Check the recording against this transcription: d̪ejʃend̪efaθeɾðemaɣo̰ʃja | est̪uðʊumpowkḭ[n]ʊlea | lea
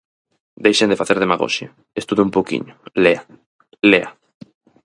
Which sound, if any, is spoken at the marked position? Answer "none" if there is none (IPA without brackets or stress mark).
ɲ